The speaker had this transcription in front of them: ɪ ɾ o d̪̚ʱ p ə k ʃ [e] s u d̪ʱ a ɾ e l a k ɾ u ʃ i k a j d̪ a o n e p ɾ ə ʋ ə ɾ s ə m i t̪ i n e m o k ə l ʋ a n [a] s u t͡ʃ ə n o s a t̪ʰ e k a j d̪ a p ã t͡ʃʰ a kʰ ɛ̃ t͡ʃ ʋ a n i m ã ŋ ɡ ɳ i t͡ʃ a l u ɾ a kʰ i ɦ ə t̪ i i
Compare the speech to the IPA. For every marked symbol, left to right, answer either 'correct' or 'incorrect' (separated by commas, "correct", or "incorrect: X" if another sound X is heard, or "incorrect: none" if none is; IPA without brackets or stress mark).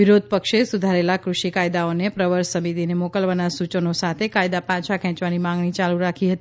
correct, correct